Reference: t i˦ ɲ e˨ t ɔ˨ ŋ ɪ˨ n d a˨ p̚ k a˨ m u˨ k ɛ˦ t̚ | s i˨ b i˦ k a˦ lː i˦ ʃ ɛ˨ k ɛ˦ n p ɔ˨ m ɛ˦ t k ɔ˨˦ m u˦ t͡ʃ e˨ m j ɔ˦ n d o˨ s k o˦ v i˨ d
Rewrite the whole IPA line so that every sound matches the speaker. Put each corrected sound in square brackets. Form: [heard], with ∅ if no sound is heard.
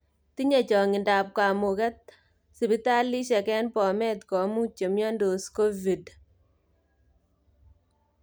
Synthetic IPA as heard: t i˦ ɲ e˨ [t͡ʃ] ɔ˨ ŋ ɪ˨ n d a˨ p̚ k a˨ m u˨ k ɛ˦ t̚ | s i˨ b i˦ [t] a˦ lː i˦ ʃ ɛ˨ k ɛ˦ n p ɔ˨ m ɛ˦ t k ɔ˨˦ m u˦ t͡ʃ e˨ m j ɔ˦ n d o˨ s k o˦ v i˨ d